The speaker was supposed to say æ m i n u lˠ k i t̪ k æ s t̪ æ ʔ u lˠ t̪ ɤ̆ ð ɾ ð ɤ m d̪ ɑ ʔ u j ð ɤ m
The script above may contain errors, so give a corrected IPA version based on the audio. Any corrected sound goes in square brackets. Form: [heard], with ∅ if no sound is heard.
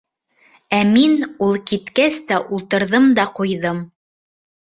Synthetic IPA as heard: æ m i n u lˠ k i t̪ k æ s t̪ æ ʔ u lˠ t̪ ɤ̆ [∅] ɾ ð ɤ m d̪ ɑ [q] u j ð ɤ m